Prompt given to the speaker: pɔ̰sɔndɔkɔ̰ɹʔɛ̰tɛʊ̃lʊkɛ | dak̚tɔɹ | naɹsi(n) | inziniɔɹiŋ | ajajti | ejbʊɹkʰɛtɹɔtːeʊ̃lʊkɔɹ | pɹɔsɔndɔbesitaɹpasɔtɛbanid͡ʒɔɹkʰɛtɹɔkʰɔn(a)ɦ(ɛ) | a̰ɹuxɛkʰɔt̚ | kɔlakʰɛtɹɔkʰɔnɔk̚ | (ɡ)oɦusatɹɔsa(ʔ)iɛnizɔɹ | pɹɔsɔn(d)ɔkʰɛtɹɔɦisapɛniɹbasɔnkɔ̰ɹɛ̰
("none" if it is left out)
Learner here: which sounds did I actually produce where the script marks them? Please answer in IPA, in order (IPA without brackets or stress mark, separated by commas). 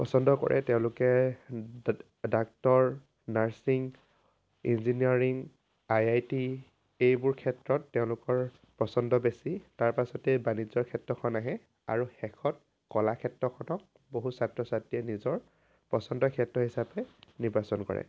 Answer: ŋ, a, ɛ, b, t, d